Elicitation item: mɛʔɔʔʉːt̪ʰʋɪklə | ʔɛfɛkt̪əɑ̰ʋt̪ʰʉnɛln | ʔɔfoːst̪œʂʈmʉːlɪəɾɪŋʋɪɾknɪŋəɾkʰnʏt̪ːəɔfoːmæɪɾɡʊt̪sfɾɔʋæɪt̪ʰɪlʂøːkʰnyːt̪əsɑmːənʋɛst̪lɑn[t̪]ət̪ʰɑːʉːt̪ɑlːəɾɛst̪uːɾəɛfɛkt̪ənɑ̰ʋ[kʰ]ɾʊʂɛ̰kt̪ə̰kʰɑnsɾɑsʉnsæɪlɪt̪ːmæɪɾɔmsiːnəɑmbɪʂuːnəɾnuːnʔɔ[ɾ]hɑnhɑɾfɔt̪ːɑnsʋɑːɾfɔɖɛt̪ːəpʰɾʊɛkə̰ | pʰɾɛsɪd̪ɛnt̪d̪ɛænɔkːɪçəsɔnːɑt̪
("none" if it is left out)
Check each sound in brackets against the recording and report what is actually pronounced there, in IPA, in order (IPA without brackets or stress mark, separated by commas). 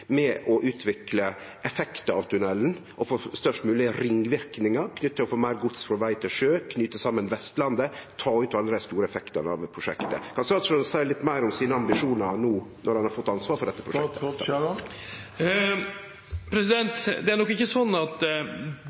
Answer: d̪, pʰ, ɾ